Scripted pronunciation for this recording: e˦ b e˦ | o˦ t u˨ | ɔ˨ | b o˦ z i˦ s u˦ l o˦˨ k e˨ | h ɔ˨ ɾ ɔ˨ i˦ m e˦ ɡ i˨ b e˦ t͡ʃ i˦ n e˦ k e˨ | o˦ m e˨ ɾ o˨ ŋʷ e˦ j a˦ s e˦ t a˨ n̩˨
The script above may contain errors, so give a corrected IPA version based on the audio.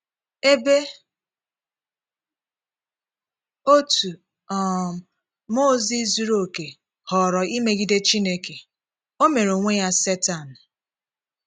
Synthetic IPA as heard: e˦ b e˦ | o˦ t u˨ | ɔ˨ | m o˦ z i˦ z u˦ ɾ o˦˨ k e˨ | h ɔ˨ ɾ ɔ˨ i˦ m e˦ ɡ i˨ d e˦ t͡ʃ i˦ n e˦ k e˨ | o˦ m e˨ ɾ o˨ ŋʷ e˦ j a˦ s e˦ t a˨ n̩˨